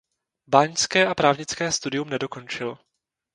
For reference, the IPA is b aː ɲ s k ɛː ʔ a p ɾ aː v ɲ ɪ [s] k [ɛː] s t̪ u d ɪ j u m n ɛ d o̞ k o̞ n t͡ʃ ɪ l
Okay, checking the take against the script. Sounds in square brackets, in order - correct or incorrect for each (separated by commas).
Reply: incorrect, correct